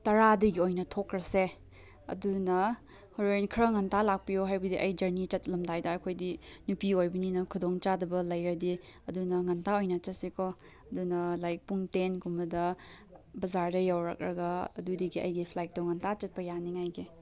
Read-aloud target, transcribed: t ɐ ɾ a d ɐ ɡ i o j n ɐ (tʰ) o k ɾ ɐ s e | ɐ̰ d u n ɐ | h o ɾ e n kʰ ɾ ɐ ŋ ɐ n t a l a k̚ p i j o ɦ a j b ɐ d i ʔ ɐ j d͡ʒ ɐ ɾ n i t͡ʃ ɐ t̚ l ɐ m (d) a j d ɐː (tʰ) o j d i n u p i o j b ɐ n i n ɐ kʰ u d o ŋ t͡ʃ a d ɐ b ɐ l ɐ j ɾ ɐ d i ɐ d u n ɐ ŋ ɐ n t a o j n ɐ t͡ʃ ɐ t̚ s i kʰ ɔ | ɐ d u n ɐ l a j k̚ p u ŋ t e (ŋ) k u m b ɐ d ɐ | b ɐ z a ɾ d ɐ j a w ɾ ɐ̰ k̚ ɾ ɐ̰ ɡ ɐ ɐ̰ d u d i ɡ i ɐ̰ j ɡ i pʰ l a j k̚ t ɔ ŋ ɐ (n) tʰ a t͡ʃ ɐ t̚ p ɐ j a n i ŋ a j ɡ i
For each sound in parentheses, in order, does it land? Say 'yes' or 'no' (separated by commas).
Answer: yes, yes, no, no, yes